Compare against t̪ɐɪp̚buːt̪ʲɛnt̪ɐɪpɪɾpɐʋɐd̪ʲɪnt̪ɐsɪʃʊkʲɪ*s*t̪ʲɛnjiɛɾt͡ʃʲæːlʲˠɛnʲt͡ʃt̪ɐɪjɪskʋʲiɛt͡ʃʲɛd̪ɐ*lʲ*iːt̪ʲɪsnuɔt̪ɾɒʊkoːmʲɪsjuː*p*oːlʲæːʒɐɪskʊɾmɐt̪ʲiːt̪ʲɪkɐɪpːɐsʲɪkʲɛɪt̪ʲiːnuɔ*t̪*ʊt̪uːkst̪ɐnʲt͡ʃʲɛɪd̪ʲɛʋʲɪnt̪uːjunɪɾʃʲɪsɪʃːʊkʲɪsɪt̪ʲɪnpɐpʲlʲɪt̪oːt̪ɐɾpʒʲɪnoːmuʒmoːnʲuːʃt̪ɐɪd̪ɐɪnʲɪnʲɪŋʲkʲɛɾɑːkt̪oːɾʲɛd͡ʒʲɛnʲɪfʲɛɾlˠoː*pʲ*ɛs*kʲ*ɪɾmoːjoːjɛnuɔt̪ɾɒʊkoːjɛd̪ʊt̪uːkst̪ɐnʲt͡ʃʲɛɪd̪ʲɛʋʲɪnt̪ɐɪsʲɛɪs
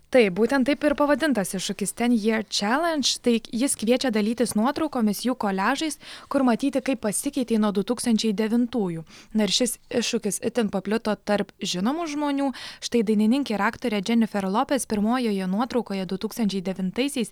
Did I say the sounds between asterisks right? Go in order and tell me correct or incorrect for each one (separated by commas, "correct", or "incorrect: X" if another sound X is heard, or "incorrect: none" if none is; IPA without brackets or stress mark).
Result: correct, correct, incorrect: k, incorrect: d̪, correct, incorrect: pʲ